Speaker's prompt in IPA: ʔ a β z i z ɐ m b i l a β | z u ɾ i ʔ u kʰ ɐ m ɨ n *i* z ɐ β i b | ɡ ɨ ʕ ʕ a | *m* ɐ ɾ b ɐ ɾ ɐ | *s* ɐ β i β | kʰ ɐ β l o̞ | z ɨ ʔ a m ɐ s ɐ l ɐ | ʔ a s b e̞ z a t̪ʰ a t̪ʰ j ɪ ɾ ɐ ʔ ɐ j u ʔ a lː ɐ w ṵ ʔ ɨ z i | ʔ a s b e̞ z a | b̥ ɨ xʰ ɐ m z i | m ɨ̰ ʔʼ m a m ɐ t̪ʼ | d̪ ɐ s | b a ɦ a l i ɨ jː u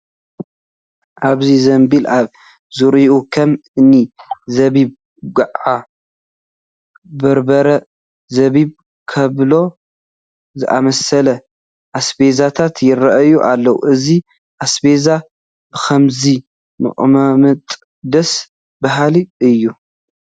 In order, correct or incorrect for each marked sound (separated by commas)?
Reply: correct, incorrect, incorrect